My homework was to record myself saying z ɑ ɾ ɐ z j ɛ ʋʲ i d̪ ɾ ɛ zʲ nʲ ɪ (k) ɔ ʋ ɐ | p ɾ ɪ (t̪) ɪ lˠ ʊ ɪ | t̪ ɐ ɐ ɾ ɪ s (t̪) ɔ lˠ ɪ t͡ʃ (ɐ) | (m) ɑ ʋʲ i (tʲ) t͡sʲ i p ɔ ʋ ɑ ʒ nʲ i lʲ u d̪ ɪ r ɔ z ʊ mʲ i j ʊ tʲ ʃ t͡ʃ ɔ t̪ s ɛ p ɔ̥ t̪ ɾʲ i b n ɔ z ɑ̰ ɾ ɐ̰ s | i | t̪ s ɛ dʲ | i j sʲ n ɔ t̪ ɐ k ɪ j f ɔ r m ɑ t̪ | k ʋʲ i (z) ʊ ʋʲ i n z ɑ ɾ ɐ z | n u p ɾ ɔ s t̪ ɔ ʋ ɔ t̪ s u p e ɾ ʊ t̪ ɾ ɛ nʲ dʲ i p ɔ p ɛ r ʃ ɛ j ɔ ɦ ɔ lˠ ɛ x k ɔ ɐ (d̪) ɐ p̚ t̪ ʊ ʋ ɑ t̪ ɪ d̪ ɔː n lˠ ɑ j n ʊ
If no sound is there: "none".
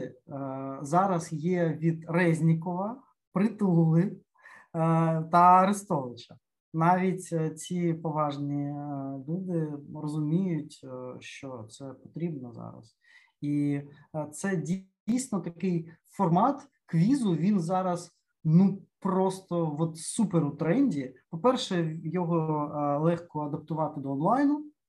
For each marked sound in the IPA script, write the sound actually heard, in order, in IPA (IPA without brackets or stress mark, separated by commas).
k, t̪, t̪, ɐ, n, tʲ, z, d̪